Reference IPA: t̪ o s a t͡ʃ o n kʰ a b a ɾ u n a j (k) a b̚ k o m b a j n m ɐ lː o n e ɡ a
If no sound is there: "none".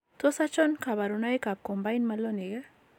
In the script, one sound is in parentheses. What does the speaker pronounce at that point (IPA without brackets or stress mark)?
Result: k